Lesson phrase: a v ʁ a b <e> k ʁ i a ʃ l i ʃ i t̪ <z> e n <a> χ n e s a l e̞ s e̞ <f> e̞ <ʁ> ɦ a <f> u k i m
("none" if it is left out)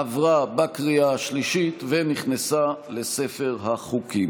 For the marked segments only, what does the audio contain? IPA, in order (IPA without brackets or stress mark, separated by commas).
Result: a, v, i, f, ʁ, χ